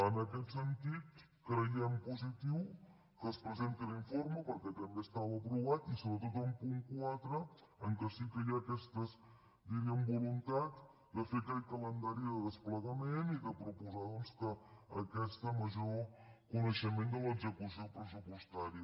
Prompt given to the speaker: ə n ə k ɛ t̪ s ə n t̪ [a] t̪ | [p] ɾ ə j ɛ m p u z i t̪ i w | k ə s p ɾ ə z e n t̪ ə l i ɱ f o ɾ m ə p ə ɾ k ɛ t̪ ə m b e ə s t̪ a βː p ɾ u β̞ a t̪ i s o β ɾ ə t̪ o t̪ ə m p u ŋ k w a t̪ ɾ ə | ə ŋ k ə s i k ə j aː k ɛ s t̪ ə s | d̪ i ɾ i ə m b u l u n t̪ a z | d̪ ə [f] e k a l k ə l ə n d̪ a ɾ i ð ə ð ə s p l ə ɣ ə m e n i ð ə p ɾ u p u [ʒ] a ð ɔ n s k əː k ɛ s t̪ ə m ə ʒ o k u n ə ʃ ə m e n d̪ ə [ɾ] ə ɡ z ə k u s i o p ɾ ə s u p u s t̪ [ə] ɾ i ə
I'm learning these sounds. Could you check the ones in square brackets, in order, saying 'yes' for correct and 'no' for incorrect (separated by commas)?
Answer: no, no, yes, no, no, no